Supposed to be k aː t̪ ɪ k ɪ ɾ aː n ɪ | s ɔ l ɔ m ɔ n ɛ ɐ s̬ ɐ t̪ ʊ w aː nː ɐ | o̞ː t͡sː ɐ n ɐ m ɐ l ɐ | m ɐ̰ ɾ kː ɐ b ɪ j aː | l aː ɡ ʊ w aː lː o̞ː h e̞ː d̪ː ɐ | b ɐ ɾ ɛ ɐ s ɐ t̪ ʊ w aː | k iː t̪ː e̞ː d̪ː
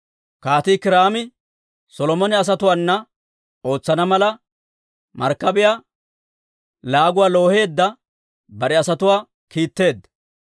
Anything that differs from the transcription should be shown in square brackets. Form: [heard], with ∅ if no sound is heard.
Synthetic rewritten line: k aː t̪ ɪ k ɪ ɾ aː [m] ɪ | s ɔ l ɔ m ɔ n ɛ ɐ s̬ ɐ t̪ ʊ w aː nː ɐ | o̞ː t͡sː ɐ n ɐ m ɐ l ɐ | m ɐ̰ ɾ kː ɐ b ɪ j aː | l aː ɡ ʊ w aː [l] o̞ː h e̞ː d̪ː ɐ | b ɐ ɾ ɛ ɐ s ɐ t̪ ʊ w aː | k iː t̪ː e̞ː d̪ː

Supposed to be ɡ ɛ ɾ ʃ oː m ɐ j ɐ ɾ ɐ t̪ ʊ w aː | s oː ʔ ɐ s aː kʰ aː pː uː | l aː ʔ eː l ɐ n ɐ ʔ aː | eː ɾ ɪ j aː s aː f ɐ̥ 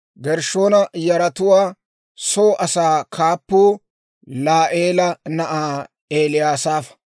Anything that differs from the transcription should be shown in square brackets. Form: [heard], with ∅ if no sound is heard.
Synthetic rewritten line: ɡ ɛ ɾ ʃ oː [n] ɐ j ɐ ɾ ɐ t̪ ʊ w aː | s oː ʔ ɐ s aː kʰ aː pː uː | l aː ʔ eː l ɐ n ɐ ʔ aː | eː [l] ɪ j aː s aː f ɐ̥

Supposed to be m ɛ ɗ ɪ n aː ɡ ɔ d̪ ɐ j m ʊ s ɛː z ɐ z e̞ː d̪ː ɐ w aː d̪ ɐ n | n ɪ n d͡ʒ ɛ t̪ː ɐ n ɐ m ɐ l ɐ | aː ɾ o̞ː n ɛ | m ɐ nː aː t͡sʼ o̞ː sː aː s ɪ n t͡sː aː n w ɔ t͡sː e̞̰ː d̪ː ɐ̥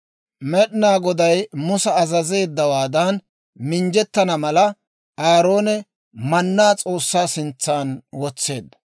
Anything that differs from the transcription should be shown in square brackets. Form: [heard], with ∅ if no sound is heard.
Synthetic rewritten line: m ɛ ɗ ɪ n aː ɡ ɔ d̪ ɐ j m ʊ s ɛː z ɐ z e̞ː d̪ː ɐ w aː d̪ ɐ n | [m] ɪ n d͡ʒ ɛ t̪ː ɐ n ɐ m ɐ l ɐ | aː ɾ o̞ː n ɛ | m ɐ nː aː t͡sʼ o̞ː sː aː s ɪ n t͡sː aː n w ɔ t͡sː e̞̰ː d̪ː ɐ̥

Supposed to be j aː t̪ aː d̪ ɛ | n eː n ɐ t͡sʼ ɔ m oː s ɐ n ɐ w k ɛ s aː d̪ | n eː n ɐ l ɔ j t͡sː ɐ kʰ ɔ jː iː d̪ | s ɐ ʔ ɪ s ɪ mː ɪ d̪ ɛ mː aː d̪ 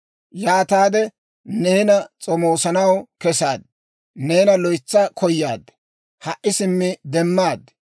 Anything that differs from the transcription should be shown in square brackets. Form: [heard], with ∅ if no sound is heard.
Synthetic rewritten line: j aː t̪ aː d̪ ɛ | n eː n ɐ t͡sʼ ɔ m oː s ɐ n ɐ w k ɛ s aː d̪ | n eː n ɐ l ɔ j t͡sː ɐ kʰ ɔ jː [aː] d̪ | [h] ɐ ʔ ɪ s ɪ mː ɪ d̪ ɛ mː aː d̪

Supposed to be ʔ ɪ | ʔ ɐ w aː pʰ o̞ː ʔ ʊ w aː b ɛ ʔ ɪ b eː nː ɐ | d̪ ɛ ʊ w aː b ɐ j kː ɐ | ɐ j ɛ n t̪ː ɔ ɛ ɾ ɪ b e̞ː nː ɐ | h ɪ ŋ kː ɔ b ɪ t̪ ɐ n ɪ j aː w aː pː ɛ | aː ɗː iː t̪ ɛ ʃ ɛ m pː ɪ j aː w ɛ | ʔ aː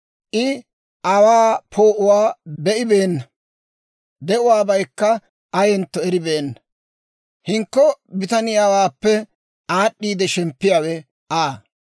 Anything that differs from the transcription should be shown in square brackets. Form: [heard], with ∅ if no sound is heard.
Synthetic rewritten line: ʔ ɪ | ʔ ɐ w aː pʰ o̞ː ʔ ʊ w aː b ɛ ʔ ɪ b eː nː ɐ | d̪ ɛ ʊ w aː b ɐ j kː ɐ | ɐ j ɛ n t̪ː ɔ ɛ ɾ ɪ b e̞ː nː ɐ | h ɪ ŋ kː ɔ b ɪ t̪ ɐ n ɪ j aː w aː pː ɛ | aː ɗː iː [d̪] ɛ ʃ ɛ m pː ɪ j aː w ɛ | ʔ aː

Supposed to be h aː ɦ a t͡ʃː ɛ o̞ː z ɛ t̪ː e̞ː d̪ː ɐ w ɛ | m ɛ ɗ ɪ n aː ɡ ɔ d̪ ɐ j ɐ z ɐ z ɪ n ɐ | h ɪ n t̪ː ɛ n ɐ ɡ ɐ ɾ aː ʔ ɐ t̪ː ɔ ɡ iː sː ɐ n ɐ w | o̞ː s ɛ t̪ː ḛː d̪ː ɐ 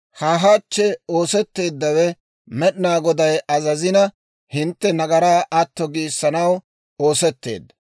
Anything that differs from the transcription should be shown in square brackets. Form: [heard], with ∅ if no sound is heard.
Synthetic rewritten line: h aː ɦ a t͡ʃː ɛ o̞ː [s] ɛ t̪ː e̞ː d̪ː ɐ w ɛ | m ɛ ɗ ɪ n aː ɡ ɔ d̪ ɐ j ɐ z ɐ z ɪ n ɐ | h ɪ n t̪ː ɛ n ɐ ɡ ɐ ɾ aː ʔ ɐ t̪ː ɔ ɡ iː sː ɐ n ɐ w | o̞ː s ɛ t̪ː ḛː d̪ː ɐ

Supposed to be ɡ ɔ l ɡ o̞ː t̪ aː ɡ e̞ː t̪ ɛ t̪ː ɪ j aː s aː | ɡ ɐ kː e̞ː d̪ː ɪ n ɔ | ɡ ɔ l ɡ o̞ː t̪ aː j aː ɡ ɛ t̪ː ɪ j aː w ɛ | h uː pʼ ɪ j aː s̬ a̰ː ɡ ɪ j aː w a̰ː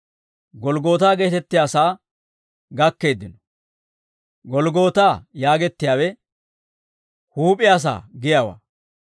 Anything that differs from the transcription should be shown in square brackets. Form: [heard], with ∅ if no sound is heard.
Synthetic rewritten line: ɡ ɔ l ɡ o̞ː t̪ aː ɡ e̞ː t̪ ɛ t̪ː ɪ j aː s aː | ɡ ɐ kː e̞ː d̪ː ɪ n ɔ | ɡ ɔ l ɡ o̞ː t̪ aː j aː ɡ ɛ t̪ː ɪ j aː w ɛ | h uː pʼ ɪ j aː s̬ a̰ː ɡ ɪ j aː w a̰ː

